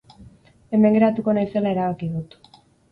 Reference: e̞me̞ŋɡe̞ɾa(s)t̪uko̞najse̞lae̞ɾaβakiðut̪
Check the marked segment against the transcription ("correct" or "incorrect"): incorrect